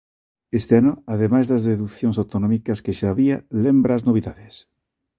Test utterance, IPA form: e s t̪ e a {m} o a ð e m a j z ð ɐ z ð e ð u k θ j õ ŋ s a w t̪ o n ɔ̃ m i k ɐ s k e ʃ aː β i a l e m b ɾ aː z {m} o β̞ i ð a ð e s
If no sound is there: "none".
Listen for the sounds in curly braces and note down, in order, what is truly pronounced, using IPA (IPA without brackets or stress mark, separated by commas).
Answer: n, n